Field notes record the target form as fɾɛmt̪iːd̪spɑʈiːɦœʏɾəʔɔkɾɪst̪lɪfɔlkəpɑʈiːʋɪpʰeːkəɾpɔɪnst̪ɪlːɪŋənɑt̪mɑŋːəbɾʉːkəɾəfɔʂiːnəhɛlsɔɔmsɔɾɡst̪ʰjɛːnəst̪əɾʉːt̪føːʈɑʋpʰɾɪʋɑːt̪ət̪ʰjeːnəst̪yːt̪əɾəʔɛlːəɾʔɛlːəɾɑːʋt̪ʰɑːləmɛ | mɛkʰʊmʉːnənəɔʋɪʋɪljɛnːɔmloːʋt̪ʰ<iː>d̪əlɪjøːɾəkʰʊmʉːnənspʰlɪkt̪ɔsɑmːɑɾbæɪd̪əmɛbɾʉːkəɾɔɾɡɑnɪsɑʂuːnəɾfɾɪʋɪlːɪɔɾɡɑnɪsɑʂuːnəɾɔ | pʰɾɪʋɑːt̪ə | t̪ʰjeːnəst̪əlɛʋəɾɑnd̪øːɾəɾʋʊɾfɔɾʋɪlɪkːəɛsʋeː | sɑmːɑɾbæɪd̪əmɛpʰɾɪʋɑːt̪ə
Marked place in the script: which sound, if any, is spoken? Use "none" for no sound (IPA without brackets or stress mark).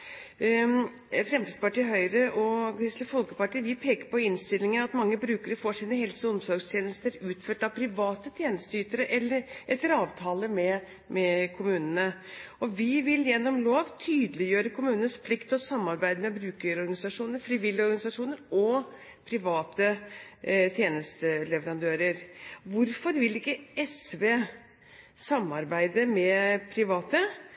yː